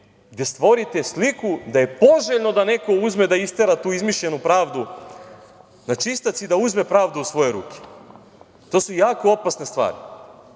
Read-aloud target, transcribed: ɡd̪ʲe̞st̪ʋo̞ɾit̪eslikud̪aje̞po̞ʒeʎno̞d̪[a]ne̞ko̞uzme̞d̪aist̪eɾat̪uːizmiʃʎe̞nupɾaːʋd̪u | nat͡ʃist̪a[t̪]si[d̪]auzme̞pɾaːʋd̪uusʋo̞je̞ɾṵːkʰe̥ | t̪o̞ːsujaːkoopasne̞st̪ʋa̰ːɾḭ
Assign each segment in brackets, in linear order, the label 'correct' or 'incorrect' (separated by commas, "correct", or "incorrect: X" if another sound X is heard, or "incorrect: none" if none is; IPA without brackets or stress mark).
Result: correct, correct, correct